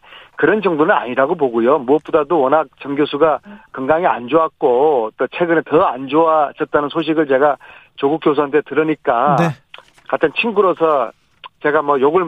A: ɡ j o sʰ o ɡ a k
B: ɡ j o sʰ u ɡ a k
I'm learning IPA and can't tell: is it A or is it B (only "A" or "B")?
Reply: B